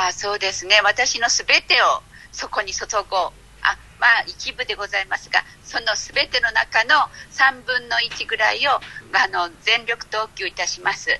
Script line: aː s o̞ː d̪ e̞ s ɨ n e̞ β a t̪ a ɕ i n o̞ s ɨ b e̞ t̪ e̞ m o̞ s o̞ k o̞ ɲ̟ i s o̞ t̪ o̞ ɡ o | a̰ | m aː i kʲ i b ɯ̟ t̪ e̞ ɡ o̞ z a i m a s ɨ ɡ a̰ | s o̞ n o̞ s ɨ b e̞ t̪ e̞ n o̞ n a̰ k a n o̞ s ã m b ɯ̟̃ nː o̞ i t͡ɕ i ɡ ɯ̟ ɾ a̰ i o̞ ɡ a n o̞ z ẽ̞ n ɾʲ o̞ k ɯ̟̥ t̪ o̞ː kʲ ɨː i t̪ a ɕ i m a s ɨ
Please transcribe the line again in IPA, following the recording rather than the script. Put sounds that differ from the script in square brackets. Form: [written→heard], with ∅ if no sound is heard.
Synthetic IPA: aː s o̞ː d̪ e̞ s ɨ n e̞ β a t̪ a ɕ i n o̞ s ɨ b e̞ t̪ e̞ [m→∅] o̞ s o̞ k o̞ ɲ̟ i s o̞ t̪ o̞ ɡ o | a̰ | m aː i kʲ i b ɯ̟ [t̪→d̪] e̞ ɡ o̞ z a i m a s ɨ ɡ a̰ | s o̞ n o̞ s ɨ b e̞ t̪ e̞ n o̞ n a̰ k a n o̞ s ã m b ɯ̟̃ nː o̞ i t͡ɕ i ɡ ɯ̟ ɾ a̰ i o̞ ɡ a n o̞ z ẽ̞ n ɾʲ o̞ k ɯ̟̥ t̪ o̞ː kʲ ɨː i t̪ a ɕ i m a s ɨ